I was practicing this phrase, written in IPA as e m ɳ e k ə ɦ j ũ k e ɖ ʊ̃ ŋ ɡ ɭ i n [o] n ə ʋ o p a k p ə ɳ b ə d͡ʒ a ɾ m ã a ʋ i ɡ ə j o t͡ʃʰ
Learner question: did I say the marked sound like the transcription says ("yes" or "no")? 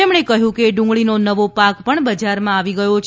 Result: yes